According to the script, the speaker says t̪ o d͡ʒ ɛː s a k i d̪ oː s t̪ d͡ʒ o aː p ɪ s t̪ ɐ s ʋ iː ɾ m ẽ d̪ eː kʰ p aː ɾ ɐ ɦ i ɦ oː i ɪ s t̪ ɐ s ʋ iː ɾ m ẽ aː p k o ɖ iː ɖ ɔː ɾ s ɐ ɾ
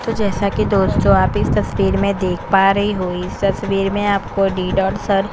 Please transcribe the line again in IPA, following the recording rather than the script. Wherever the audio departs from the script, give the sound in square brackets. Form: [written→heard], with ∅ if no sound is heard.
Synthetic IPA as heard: t̪ o d͡ʒ ɛː s a k i d̪ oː s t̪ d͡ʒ o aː p ɪ s t̪ ɐ s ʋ iː ɾ m ẽ d̪ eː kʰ p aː ɾ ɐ ɦ i ɦ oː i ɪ s t̪ ɐ s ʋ iː ɾ m ẽ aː p k o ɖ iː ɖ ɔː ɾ s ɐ ɾ